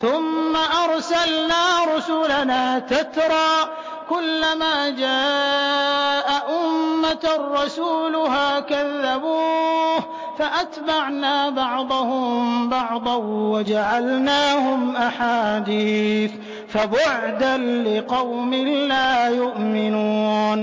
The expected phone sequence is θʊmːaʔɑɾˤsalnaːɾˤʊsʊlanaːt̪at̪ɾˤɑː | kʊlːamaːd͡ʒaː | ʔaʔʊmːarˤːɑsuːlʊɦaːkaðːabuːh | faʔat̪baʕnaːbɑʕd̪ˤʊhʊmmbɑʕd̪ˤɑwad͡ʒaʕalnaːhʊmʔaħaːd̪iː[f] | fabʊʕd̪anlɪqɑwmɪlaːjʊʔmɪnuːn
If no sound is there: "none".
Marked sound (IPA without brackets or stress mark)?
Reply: θ